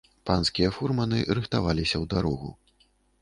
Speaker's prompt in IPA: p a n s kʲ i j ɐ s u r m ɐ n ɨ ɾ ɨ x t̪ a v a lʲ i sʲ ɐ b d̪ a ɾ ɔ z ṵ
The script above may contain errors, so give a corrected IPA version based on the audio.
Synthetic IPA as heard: p a n s kʲ i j ɐ f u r m ɐ n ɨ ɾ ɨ x t̪ a v a lʲ i sʲ ɐ w d̪ a ɾ ɔ ɣ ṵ